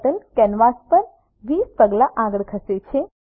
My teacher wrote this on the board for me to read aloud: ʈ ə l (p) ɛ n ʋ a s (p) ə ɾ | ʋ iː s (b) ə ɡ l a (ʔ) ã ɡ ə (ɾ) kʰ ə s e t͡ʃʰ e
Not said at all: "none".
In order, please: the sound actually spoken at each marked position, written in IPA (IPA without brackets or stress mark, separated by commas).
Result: k, p, p, ʔ, ɭ